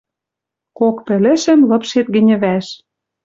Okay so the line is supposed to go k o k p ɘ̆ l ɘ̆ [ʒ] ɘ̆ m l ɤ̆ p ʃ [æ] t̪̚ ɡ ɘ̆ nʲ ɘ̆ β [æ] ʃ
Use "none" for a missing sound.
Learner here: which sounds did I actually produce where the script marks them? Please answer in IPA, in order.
ʃ, e, æ

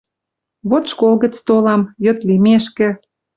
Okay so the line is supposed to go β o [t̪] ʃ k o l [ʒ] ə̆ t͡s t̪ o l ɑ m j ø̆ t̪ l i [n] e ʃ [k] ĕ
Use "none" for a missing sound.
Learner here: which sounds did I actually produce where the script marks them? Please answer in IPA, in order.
t̪, ɣ, m, k

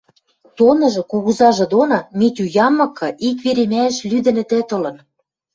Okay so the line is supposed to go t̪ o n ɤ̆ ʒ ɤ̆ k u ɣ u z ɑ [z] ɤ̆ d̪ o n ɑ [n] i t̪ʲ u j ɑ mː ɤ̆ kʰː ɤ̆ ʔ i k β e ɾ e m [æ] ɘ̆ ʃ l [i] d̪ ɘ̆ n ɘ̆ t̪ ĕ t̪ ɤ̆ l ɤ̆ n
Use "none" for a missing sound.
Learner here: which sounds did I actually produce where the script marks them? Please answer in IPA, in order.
ʒ, m, æ, y

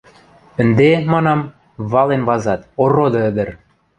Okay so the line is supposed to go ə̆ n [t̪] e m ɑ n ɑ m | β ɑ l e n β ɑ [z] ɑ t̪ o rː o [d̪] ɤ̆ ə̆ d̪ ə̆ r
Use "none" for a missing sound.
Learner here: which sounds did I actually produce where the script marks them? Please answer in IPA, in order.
d̪, z, d̪

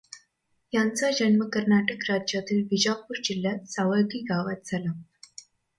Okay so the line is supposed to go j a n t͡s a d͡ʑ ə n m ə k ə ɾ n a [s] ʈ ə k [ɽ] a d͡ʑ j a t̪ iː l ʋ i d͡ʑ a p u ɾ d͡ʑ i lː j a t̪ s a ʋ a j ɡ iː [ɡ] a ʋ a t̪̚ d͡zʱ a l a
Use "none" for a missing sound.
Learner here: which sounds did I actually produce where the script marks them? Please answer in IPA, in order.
none, ɾ, ɡ

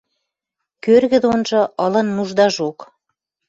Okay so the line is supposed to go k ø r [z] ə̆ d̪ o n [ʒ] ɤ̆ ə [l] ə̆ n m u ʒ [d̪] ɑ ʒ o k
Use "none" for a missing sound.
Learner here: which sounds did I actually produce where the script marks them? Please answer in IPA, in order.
ɣ, ʒ, l, d̪

